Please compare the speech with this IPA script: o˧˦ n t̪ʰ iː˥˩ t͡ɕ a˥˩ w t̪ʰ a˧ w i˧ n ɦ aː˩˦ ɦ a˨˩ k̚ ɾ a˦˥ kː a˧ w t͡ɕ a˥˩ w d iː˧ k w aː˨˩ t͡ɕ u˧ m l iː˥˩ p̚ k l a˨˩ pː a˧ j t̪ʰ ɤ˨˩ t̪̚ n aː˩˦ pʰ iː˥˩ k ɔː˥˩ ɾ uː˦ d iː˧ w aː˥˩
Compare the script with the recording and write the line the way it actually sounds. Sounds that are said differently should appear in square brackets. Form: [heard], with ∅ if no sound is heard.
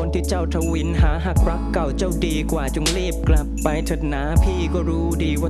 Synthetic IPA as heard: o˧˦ n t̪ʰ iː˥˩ t͡ɕ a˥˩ w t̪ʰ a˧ w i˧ n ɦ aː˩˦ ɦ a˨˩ k̚ ɾ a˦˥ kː [a˨˩] w t͡ɕ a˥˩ w d iː˧ k w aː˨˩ t͡ɕ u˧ [ŋ] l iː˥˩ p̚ k l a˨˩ pː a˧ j t̪ʰ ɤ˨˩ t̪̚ n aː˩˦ pʰ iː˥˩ k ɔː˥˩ ɾ uː˦ d iː˧ w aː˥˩